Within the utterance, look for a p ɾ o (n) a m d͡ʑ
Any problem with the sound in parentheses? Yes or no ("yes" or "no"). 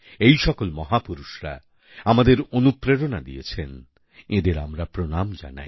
no